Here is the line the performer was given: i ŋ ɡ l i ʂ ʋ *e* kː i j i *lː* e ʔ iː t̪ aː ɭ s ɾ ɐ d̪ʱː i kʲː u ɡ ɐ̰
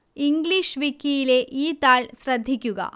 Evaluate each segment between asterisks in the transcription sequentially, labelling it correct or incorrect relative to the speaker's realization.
incorrect: i, incorrect: l

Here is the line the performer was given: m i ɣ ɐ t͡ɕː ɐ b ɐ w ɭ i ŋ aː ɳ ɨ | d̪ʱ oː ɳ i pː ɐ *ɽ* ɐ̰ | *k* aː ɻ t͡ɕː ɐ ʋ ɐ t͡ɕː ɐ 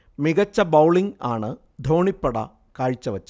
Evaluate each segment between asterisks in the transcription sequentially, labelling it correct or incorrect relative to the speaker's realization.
correct, correct

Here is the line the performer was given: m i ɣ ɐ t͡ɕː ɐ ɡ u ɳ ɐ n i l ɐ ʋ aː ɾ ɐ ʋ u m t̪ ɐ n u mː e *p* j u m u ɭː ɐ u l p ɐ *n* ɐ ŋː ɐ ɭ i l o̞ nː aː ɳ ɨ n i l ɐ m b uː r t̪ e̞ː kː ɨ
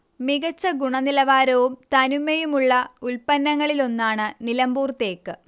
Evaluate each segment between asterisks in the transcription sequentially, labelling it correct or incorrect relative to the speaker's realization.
incorrect: none, incorrect: nː

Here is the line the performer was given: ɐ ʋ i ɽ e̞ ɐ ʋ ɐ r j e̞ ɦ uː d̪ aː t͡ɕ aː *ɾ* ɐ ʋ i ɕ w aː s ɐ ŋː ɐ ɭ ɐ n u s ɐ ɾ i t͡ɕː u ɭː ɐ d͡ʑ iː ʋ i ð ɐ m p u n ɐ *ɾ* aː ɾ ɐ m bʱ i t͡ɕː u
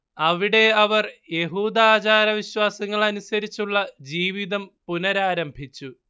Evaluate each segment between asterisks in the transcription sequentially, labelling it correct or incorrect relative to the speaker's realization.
correct, correct

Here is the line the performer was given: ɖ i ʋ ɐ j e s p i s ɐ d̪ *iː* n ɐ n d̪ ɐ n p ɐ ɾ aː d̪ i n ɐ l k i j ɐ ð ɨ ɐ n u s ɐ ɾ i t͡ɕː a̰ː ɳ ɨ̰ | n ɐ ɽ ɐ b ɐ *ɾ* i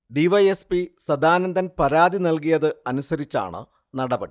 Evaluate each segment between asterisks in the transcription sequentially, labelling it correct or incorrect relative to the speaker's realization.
incorrect: aː, incorrect: ɽ

